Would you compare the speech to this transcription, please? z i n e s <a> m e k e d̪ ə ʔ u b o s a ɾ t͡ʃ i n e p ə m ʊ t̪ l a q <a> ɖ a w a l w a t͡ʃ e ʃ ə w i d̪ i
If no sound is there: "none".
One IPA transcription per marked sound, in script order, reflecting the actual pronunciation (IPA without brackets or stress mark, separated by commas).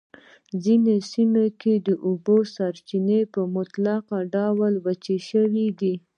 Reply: i, a